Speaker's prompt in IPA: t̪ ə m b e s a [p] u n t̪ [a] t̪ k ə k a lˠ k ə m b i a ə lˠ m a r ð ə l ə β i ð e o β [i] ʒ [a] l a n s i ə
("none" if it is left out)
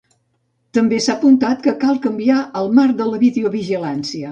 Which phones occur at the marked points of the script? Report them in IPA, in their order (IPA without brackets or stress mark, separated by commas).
p, a, i, i